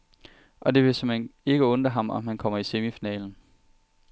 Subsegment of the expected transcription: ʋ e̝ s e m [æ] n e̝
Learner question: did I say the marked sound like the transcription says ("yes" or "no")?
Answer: no